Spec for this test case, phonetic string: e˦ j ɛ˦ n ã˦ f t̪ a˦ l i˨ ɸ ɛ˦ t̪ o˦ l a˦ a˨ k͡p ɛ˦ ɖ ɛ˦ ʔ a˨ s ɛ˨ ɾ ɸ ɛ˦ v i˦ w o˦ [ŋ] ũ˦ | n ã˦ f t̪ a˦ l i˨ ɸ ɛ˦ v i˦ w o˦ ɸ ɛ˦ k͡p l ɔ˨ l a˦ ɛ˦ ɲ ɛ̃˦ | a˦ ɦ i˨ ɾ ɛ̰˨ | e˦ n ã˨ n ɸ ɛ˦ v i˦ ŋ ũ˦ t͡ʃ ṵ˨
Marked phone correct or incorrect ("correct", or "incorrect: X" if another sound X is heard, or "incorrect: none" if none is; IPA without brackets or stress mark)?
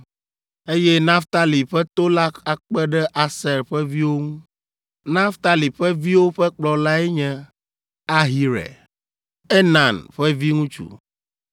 correct